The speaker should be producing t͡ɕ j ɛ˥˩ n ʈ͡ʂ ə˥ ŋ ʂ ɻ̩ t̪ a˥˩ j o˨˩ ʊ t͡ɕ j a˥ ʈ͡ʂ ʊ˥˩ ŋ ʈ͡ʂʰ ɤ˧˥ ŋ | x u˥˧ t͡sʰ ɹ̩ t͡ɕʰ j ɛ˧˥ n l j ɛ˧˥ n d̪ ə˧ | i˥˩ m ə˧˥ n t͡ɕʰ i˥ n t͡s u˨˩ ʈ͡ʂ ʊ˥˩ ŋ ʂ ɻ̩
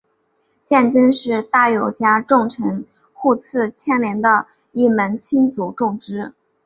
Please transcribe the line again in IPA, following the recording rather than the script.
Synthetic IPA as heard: t͡ɕ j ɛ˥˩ n ʈ͡ʂ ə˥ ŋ ʂ ɻ̩ t̪ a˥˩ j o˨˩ ʊ t͡ɕ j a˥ ʈ͡ʂ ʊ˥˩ ŋ ʈ͡ʂʰ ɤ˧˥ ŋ | x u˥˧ t͡sʰ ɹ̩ t͡ɕʰ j ɛ˥ n l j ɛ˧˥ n d̪ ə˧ | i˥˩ m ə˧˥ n t͡ɕʰ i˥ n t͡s u˨˩ ʈ͡ʂ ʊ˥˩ ŋ ʈ͡ʂ ɻ̩

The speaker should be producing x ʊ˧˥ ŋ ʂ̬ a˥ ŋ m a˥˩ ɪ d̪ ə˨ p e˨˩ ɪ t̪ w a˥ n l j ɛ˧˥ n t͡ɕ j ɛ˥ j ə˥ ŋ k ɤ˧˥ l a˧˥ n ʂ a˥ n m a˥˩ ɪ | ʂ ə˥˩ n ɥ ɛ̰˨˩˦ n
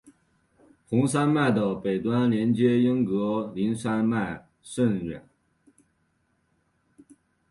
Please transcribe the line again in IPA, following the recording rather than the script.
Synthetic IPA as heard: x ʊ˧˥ ŋ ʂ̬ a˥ n m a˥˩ ɪ d̪ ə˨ p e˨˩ ɪ t̪ w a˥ n l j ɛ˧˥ n t͡ɕ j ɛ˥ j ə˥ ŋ k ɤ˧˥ l i˧˥ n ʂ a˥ n m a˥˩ ɪ | ʂ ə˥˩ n ɥ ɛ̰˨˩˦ n

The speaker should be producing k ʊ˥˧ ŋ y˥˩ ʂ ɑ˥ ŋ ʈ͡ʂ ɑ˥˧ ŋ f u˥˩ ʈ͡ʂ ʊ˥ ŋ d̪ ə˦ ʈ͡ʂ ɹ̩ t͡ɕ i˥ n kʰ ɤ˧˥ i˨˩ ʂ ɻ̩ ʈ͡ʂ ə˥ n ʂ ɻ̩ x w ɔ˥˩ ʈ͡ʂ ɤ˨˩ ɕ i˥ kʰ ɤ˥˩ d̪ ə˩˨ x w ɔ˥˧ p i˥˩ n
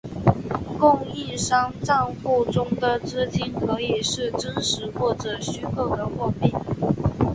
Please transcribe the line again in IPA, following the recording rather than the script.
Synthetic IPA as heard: k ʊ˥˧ ŋ i˥˩ ʂ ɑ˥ ŋ ʈ͡ʂ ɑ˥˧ ŋ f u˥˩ ʈ͡ʂ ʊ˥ ŋ d̪ ə˨ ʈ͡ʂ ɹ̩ t͡ɕ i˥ n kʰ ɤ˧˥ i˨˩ ʂ ɻ̩ ʈ͡ʂ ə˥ n ʂ ɻ̩ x w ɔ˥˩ ʈ͡ʂ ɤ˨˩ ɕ y˥ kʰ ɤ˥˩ d̪ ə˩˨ x w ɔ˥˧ p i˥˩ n

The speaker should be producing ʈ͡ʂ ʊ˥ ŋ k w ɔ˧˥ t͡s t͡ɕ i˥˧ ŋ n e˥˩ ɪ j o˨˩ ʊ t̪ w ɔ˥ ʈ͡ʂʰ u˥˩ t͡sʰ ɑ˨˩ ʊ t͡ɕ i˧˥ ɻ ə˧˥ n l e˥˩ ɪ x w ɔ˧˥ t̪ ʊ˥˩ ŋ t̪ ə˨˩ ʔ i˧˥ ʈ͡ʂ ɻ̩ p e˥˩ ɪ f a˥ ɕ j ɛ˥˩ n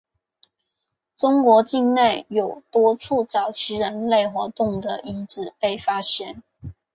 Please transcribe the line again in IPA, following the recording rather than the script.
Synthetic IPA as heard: ʈ͡ʂ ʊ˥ ŋ k w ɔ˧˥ t͡ɕ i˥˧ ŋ n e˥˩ ɪ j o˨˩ ʊ t̪ w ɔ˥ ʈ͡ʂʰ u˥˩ t͡s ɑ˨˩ ʊ t͡ɕʰ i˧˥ ɻ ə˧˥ n l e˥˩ ɪ x w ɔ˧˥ t̪ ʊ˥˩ ŋ d̪ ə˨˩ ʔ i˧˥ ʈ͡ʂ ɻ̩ p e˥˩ ɪ f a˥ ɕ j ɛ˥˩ n

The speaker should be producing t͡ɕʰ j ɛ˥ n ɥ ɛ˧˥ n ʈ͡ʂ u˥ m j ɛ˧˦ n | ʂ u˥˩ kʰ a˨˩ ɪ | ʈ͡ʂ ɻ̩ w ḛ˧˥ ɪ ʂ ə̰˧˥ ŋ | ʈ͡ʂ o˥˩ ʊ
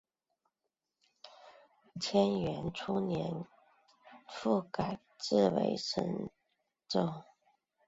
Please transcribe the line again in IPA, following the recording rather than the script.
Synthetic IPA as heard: t͡ɕʰ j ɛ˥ n ɥ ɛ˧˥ n ʈ͡ʂʰ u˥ n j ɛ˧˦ n | f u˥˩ k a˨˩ ɪ | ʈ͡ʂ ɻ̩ w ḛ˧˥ ɪ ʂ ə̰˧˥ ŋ | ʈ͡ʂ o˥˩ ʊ

